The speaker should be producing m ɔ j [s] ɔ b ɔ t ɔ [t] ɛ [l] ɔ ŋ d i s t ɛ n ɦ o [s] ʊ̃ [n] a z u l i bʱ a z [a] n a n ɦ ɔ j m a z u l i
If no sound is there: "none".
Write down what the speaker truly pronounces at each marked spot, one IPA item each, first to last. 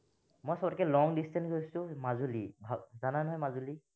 s, k, l, s, m, a

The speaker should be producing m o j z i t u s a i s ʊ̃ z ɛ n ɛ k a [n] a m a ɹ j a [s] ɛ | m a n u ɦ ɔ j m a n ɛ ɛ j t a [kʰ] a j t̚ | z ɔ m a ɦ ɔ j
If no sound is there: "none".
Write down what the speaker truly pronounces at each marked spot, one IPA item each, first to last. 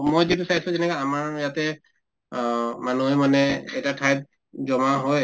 none, t, tʰ

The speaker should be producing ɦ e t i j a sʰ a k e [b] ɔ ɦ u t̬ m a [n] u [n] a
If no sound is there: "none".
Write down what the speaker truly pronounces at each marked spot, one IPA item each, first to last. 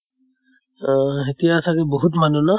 b, n, n

